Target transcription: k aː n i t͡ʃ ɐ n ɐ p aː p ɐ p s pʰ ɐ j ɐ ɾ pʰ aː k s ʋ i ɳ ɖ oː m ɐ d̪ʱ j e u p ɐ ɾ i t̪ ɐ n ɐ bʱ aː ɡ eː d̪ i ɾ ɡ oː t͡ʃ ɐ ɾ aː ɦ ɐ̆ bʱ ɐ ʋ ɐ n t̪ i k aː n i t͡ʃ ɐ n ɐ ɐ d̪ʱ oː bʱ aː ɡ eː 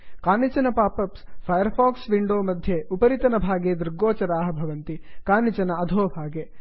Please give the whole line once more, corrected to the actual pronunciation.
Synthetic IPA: k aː n i t͡ʃ ɐ n ɐ p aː p ɐ p s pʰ ɐ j ɐ ɾ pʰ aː k s ʋ i ɳ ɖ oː m ɐ d̪ʱ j e u p ɐ ɾ i t̪ ɐ n ɐ bʱ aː ɡ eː d̪ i ɾ ɡ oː t͡ʃ ɐ ɾ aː ɦ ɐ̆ bʱ ɐ ʋ ɐ n t̪ i k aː n i t͡ʃ ɐ n ɐ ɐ d̪ʱ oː bʱ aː ɡ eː

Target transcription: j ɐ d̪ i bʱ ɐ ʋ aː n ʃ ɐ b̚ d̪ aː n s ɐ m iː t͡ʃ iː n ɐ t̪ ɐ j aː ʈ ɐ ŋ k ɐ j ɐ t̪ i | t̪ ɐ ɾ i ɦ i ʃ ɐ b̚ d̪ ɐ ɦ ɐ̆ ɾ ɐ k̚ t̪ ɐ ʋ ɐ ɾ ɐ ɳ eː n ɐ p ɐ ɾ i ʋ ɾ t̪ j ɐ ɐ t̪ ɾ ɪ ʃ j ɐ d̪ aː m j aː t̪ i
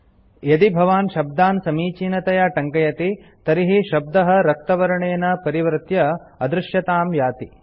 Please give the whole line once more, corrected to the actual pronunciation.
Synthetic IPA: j ɐ d̪ i bʱ ɐ ʋ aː n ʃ ɐ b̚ d̪ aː n s ɐ m iː t͡ʃ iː n ɐ t̪ ɐ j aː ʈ ɐ ŋ k ɐ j ɐ t̪ i | t̪ ɐ ɾ i ɦ i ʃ ɐ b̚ d̪ ɐ ɦ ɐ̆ ɾ ɐ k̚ t̪ ɐ ʋ ɐ ɾ ɐ ɳ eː n ɐ p ɐ ɾ i ʋ ɾ t̪ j ɐ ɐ d̪ ɾ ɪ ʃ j ɐ t̪ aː m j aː t̪ i

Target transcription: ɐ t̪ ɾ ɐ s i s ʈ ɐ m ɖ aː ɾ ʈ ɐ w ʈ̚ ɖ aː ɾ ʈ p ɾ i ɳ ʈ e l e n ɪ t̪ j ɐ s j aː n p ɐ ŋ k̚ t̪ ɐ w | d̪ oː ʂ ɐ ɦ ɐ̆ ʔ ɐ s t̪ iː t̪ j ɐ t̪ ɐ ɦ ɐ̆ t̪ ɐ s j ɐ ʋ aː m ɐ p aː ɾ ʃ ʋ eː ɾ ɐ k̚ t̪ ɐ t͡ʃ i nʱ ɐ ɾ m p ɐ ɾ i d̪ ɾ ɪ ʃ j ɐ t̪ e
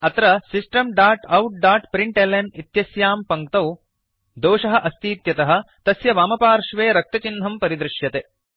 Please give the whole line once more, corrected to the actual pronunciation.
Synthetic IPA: ɐ t̪ ɾ ɐ s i s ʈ ɐ m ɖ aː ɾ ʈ ɐ w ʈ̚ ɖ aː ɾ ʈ p ɾ i ɳ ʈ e l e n i t̪ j ɐ s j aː m p ɐ ŋ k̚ t̪ ɐ w | d̪ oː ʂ ɐ ɦ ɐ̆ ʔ ɐ s t̪ iː t̪ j ɐ t̪ ɐ ɦ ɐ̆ t̪ ɐ s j ɐ ʋ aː m ɐ p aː ɾ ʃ ʋ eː ɾ ɐ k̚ t̪ ɐ t͡ʃ i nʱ ɐ m p ɐ ɾ i d̪ ɾ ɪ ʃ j ɐ t̪ e

